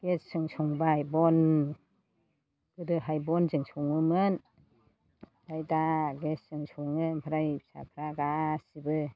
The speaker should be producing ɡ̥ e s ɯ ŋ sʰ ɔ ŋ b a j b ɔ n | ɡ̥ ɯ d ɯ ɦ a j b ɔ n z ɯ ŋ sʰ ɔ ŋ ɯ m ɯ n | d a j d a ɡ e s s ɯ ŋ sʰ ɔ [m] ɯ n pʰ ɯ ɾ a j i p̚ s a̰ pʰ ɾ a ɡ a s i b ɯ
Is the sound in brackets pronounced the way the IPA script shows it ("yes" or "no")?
no